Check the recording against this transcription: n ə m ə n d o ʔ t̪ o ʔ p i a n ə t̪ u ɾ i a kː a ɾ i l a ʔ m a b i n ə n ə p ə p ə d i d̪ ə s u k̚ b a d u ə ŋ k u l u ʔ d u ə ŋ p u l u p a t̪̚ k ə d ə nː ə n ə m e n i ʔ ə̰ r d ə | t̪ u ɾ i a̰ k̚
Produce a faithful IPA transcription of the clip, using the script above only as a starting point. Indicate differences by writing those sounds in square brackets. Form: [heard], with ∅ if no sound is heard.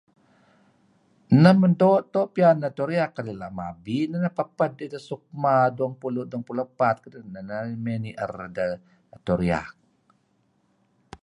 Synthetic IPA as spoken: n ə m ə n d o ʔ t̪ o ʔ p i a n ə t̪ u ɾ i a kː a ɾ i l a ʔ m a b i n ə n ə p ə p ə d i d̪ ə s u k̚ [m] a d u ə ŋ [p] u l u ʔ d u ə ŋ p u l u p a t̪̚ k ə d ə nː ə n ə m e n i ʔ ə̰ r d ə | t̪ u ɾ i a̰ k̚